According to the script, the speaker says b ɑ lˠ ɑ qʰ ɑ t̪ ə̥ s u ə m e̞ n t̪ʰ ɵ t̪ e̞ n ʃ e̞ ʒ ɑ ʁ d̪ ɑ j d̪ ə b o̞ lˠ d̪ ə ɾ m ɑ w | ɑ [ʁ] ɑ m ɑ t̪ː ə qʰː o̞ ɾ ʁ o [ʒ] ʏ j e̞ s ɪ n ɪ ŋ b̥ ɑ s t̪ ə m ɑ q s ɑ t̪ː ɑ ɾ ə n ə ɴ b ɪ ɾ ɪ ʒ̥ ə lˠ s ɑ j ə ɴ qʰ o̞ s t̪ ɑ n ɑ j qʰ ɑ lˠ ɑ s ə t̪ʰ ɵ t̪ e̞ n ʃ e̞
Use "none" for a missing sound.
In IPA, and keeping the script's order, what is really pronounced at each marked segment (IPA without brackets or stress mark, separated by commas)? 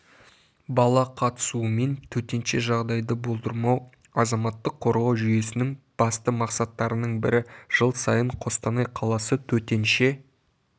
z, ʒ